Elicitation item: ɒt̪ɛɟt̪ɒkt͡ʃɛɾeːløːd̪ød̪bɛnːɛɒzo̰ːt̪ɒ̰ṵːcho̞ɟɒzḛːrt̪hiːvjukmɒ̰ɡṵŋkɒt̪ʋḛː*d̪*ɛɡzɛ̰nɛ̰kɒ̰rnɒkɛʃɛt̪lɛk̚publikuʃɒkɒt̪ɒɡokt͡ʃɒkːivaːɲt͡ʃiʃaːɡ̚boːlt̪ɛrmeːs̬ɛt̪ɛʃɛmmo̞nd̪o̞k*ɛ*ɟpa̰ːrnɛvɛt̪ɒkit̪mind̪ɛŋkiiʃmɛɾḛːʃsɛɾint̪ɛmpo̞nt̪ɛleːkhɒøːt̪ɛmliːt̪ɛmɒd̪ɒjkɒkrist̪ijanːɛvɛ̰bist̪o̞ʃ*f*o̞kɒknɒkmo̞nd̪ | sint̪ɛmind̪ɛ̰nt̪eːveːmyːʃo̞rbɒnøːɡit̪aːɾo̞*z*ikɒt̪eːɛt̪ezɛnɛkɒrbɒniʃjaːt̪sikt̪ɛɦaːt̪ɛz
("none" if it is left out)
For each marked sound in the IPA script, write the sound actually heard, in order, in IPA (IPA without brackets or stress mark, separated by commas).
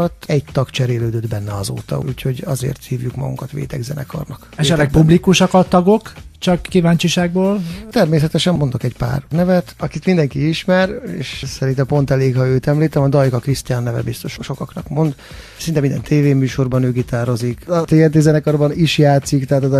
t̪, ɛ, ʃ, z